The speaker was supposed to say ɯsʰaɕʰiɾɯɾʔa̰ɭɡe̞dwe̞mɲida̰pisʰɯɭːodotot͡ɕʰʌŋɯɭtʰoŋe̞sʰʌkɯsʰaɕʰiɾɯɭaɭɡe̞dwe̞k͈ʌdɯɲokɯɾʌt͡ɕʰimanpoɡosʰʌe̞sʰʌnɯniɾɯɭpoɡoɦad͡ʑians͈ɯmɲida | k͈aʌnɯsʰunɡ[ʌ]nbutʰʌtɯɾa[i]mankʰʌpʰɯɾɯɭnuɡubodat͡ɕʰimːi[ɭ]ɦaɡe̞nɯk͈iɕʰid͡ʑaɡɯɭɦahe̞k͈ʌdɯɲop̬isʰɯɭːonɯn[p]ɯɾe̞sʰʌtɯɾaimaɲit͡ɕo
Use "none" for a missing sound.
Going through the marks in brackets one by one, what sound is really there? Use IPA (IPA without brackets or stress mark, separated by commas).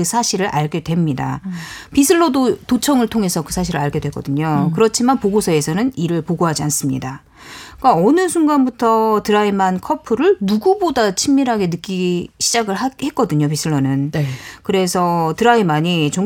a, i, ɾ, k